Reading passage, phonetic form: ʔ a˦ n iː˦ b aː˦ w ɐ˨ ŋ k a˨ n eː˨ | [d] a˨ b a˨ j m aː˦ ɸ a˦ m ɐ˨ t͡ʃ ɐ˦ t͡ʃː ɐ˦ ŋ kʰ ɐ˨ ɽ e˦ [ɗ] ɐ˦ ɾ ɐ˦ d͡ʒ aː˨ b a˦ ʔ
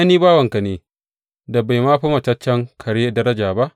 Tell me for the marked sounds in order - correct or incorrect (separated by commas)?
correct, incorrect